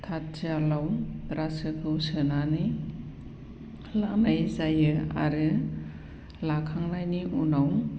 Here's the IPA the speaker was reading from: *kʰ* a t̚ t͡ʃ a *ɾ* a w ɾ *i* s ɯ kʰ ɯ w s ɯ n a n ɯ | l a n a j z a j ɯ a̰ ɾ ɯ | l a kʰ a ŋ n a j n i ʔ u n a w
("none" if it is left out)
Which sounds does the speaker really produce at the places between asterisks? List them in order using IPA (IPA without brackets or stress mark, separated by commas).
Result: tʰ, l, a